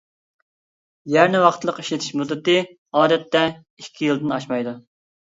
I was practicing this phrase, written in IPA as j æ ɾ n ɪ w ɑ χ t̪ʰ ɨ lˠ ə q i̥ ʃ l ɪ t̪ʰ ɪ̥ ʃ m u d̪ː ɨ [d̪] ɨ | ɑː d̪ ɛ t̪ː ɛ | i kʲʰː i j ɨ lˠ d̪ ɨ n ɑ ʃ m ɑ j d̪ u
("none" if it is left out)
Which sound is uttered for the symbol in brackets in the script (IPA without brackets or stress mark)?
t̪